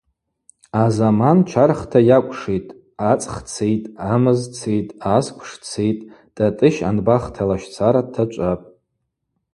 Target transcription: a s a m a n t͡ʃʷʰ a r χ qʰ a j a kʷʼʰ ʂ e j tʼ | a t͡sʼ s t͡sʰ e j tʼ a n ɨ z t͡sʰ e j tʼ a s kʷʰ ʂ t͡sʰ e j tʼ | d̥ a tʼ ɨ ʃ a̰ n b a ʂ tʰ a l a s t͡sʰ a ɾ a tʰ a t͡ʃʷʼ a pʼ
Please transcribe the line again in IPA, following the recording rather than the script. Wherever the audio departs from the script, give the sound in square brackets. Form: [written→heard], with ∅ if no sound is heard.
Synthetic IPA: a [s→z] a m a n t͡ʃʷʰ a r χ [qʰ→tʰ] a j a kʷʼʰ ʂ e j tʼ | a t͡sʼ [s→χ] t͡sʰ e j tʼ a [n→m] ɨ z t͡sʰ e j tʼ a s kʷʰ ʂ t͡sʰ e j tʼ | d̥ a tʼ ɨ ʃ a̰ n b a [ʂ→χ] tʰ a l a [s→ʃ] t͡sʰ a ɾ a tʰ a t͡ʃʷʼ a pʼ